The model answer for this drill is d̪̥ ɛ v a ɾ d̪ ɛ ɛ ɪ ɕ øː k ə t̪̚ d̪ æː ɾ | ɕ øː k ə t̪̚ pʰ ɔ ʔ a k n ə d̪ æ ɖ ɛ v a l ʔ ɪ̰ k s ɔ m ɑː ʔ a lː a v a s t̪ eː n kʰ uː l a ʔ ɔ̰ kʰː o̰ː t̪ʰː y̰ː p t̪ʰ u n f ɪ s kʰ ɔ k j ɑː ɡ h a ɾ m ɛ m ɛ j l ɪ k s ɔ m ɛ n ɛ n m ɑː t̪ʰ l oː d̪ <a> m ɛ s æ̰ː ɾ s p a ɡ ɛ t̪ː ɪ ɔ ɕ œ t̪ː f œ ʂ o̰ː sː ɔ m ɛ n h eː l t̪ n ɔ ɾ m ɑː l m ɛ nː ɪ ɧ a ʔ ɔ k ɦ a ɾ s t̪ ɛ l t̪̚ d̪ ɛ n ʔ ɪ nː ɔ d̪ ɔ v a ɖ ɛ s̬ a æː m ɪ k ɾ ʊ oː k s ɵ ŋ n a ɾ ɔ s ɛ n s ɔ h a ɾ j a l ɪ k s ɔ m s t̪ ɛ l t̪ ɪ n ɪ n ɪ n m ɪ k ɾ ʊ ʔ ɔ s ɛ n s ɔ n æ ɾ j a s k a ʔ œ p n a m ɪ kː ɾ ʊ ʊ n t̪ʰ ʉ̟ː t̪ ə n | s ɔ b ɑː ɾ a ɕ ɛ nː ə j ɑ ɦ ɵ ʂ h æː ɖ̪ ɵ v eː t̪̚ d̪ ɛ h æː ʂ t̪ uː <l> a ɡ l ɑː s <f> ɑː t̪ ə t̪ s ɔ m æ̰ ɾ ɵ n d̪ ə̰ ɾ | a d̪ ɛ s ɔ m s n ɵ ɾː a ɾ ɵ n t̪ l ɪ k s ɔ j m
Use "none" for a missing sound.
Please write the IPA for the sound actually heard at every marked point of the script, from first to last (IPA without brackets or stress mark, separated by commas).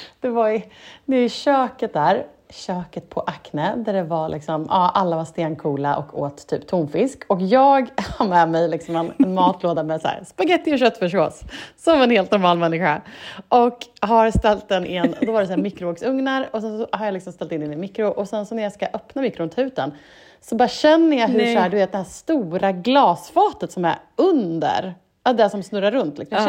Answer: a, ɾ, f